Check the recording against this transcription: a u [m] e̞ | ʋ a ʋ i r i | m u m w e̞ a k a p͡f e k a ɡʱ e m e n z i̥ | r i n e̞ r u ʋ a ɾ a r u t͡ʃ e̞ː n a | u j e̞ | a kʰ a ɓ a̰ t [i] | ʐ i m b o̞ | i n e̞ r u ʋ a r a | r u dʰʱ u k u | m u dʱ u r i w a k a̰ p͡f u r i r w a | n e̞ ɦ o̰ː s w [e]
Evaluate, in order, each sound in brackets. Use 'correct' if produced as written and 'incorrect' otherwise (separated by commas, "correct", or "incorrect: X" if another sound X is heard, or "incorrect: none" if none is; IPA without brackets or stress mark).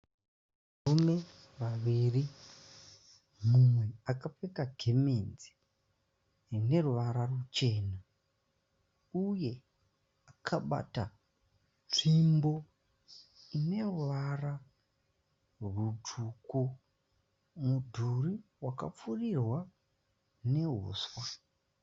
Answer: correct, incorrect: a, incorrect: a